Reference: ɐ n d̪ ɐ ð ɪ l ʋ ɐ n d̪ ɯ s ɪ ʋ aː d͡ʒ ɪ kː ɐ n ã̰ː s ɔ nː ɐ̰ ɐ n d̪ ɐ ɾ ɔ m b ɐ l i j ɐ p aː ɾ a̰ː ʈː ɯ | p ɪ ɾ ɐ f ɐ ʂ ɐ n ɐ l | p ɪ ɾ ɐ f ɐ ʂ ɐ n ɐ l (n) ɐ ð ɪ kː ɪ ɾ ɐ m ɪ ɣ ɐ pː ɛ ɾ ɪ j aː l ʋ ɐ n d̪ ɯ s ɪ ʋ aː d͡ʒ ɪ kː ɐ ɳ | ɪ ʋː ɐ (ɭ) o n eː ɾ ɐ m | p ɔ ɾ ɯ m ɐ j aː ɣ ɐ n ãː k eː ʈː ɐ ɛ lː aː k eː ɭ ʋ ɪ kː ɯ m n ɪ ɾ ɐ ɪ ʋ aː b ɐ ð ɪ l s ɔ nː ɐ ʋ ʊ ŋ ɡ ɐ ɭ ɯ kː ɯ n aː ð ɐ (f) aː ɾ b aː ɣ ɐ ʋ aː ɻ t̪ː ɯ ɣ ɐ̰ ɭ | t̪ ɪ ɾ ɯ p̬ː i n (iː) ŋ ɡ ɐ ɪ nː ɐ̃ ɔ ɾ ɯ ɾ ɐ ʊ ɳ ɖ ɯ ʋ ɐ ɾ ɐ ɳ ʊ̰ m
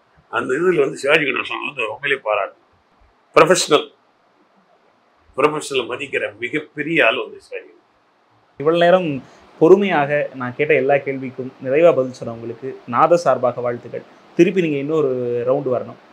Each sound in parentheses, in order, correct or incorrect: incorrect: m, correct, incorrect: s, correct

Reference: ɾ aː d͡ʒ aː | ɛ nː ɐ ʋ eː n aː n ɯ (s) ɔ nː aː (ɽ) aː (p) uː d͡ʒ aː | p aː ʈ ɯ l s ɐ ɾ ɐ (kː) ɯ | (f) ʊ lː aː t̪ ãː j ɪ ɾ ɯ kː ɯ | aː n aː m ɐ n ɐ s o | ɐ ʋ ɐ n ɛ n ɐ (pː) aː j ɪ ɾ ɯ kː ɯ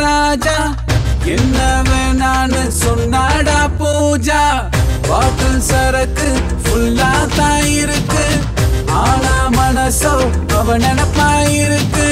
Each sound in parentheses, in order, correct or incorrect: correct, correct, correct, correct, correct, correct

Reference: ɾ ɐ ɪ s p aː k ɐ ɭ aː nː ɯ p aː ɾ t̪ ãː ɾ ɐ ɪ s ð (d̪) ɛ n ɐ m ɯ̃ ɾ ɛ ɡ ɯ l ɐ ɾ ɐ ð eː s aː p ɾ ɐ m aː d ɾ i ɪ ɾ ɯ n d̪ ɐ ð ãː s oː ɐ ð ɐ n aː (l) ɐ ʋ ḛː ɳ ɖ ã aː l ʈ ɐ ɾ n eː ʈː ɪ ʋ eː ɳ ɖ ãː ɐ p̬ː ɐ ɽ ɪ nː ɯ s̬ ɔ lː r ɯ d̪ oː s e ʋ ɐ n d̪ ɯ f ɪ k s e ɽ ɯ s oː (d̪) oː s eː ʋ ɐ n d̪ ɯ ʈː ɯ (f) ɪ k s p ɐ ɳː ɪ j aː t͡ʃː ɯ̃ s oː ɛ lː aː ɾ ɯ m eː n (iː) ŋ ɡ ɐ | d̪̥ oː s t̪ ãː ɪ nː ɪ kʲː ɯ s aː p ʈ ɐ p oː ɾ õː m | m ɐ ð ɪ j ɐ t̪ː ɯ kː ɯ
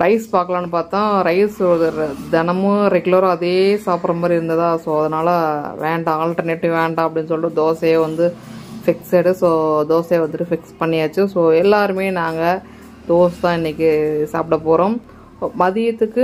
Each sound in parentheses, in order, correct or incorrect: correct, correct, correct, correct, incorrect: aː

